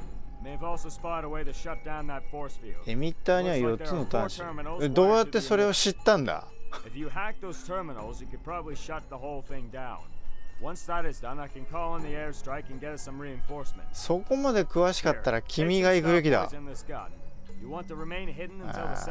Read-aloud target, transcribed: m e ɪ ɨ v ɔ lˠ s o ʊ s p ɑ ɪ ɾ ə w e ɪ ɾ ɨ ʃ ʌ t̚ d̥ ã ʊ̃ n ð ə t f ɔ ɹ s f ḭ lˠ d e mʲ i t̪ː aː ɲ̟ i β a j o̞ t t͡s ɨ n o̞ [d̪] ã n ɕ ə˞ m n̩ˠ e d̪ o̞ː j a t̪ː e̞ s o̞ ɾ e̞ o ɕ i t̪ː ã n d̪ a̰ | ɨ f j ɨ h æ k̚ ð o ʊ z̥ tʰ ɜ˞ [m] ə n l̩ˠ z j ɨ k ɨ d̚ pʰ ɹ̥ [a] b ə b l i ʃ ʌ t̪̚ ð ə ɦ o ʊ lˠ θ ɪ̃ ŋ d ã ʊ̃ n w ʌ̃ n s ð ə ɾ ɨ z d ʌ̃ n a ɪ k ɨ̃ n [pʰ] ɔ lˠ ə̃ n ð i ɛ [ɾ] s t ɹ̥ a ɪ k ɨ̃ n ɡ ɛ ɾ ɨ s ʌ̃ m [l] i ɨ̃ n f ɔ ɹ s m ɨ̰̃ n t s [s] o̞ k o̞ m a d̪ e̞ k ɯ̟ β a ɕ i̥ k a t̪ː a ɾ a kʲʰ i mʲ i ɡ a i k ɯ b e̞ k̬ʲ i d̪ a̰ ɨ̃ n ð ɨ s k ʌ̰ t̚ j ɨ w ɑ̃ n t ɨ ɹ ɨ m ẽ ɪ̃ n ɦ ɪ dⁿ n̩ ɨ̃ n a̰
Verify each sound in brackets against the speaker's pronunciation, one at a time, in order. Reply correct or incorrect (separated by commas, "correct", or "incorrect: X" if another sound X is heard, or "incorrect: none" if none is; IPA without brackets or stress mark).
incorrect: t̪, correct, incorrect: ɑ, incorrect: kʰ, incorrect: ɹ, incorrect: ɹ, correct